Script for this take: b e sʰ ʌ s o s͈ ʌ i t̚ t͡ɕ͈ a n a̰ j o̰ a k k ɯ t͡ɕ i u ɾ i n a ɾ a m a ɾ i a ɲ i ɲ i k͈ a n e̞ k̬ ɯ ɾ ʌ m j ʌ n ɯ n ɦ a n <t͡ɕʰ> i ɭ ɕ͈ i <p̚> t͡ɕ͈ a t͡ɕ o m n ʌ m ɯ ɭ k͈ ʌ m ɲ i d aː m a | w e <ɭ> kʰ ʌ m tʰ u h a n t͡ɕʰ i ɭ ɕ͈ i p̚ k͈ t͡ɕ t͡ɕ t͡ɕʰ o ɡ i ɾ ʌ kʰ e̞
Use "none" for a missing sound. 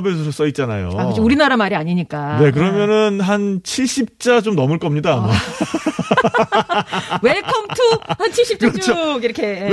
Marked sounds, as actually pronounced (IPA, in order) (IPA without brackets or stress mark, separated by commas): t͡ɕʰ, p̚, ɭ